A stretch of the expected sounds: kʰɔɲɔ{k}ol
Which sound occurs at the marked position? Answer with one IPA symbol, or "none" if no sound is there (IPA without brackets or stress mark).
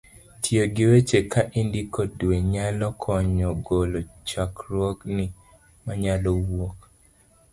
ɡ